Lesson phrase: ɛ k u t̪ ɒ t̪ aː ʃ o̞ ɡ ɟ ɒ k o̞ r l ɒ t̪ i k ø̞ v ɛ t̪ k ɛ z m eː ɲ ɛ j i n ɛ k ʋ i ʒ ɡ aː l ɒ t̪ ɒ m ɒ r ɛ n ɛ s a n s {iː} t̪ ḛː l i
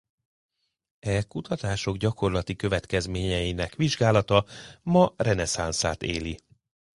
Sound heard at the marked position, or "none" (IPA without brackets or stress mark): aː